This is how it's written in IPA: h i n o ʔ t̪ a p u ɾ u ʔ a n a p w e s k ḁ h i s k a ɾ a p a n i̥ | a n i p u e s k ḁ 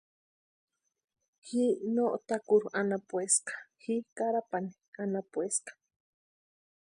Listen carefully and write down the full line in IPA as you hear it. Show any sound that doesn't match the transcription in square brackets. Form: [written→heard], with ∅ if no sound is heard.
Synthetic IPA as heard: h i n o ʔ t̪ a [p→k] u ɾ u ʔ a n a p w e s k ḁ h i [s→∅] k a ɾ a p a n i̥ | a n [i→a] p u e s k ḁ